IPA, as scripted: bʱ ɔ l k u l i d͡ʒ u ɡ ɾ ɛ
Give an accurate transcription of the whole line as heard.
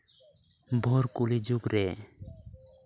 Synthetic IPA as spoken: bʱ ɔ ɾ k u l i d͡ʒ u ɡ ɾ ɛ